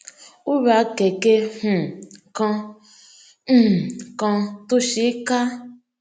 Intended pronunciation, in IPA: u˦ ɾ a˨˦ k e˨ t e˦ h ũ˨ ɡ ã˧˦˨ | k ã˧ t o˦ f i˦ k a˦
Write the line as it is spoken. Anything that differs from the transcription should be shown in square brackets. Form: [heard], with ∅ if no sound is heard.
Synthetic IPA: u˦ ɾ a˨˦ k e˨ [k] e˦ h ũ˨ [k] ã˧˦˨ | k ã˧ t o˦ [ʃ] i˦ k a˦